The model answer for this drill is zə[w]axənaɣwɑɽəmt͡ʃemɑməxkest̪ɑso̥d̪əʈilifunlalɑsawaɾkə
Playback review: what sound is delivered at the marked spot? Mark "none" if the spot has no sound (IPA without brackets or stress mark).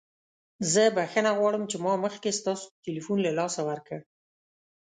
b